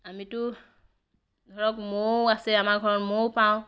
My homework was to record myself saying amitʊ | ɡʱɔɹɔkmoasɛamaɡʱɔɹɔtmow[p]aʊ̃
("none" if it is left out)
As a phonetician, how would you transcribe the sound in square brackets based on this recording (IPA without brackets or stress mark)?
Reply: p